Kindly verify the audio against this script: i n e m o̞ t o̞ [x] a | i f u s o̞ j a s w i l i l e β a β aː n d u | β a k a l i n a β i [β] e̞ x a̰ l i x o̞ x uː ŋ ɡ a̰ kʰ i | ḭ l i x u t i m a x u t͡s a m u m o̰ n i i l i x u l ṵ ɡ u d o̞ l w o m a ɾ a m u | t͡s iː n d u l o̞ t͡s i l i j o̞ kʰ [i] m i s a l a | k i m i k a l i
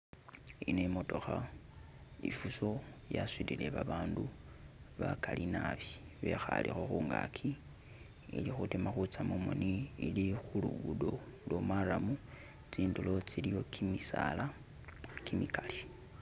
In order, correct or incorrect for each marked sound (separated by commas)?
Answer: correct, correct, correct